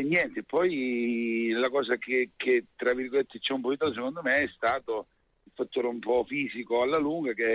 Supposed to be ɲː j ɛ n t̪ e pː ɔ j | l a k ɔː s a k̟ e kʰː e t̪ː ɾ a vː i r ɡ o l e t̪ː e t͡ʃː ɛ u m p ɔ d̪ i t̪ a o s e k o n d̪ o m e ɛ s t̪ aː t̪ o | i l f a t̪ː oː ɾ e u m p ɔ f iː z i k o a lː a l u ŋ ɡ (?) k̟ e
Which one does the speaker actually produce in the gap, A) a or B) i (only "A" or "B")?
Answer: A